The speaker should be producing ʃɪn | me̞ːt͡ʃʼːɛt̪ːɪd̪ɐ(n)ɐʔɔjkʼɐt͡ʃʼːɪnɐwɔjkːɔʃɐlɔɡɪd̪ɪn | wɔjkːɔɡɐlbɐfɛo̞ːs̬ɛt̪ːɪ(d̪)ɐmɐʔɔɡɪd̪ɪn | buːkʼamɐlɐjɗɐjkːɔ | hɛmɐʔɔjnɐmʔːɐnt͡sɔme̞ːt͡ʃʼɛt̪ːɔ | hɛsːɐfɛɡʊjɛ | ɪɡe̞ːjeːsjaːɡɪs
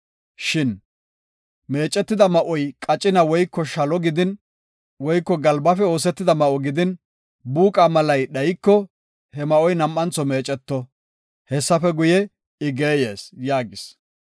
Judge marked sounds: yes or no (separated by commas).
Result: no, yes